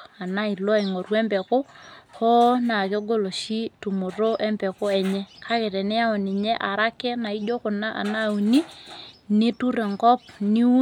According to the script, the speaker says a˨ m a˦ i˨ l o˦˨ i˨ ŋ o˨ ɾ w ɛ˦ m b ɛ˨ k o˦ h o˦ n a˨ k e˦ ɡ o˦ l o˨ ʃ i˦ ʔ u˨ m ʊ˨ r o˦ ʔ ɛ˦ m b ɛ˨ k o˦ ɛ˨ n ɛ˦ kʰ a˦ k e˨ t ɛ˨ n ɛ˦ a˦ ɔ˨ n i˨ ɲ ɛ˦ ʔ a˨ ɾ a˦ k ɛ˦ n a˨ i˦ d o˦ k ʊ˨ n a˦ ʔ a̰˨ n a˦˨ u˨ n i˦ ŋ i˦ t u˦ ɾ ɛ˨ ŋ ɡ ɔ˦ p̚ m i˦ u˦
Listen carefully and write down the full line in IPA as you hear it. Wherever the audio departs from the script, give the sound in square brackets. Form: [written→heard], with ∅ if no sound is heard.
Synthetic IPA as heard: a˨ [m→n] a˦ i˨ l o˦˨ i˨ ŋ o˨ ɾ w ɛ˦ m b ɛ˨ k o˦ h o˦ n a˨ k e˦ ɡ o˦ l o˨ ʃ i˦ [ʔ→t] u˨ m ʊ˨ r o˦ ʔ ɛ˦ m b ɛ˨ k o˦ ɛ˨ [n→ɲ] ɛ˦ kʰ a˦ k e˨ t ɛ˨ n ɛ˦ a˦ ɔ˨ n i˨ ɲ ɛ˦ ʔ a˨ ɾ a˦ k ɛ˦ n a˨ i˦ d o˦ k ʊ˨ n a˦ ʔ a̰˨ n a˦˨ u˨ n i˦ [ŋ→n] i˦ t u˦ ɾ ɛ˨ ŋ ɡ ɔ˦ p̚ [m→n] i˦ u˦